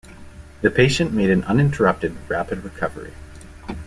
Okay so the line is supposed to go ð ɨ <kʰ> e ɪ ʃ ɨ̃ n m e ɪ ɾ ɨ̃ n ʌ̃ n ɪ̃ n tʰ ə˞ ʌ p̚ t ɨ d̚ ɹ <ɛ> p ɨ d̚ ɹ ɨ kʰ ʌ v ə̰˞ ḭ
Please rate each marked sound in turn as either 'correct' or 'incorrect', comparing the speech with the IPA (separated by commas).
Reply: incorrect, incorrect